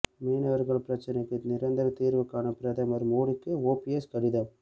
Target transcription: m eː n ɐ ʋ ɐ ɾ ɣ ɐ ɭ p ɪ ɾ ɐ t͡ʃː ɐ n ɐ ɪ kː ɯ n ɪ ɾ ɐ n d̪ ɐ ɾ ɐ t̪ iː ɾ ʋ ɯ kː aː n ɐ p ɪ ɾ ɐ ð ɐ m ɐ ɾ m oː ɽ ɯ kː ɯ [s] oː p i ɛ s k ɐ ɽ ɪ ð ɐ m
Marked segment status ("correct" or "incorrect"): incorrect